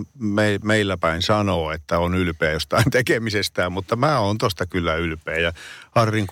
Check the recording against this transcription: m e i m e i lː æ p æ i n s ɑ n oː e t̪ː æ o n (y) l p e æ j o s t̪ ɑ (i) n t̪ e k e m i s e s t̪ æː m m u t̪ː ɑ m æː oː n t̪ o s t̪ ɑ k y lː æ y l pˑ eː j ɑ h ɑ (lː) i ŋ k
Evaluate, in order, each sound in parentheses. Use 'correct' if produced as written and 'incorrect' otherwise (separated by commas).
correct, correct, incorrect